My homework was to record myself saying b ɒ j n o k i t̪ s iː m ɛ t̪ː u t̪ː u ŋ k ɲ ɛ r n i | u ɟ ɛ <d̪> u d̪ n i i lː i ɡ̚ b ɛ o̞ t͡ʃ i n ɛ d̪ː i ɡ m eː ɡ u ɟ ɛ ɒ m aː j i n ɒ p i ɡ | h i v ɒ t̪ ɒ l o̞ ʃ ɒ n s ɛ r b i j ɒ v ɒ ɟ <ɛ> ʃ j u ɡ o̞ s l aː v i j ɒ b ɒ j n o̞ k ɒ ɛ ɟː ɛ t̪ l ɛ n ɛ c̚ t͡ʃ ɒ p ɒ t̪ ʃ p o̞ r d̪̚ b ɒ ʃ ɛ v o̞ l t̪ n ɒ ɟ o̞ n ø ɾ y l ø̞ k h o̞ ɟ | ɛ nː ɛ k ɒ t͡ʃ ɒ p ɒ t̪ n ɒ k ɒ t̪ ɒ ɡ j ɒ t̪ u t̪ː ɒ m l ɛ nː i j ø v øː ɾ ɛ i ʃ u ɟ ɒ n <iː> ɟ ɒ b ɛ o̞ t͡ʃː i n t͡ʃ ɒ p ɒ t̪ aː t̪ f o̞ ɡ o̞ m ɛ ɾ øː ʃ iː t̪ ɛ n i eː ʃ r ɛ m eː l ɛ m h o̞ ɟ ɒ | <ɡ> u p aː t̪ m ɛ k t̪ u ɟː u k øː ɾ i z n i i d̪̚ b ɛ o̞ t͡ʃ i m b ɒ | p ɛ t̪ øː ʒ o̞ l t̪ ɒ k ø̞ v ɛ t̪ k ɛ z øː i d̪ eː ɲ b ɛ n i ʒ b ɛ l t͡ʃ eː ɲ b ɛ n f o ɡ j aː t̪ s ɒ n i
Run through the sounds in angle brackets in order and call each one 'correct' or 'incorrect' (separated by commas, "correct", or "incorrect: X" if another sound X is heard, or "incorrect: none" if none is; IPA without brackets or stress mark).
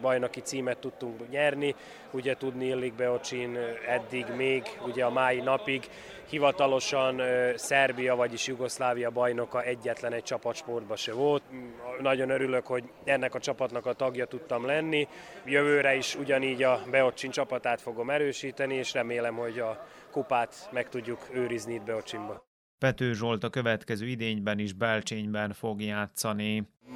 incorrect: t̪, incorrect: i, correct, incorrect: k